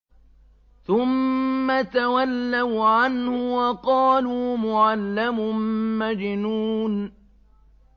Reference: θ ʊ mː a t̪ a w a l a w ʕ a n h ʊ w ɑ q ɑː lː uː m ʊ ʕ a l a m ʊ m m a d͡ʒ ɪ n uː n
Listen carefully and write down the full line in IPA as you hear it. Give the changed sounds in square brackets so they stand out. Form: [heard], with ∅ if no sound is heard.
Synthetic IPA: θ ʊ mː a t̪ a w a [lː] a w ʕ a n h ʊ w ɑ q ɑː [l] uː m ʊ ʕ a [lː] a m ʊ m m a d͡ʒ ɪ n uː n